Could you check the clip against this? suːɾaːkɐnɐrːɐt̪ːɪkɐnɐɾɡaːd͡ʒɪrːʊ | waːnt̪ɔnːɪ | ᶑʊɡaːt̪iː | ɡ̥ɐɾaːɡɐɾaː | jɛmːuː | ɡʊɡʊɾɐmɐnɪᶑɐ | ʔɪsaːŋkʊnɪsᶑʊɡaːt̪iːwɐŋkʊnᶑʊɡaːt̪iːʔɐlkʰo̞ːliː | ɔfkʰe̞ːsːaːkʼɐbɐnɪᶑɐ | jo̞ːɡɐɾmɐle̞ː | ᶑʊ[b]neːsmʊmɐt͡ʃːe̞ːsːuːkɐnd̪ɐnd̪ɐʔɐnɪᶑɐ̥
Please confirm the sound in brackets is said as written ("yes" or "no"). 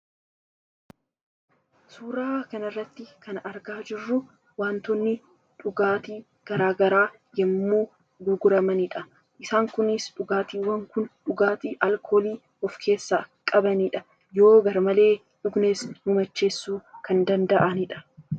no